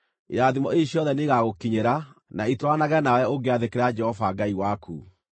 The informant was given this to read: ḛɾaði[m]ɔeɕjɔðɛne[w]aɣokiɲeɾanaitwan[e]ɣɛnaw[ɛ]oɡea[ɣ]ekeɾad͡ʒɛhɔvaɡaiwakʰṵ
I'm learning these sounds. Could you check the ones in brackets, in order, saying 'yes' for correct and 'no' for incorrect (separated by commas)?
yes, no, no, yes, no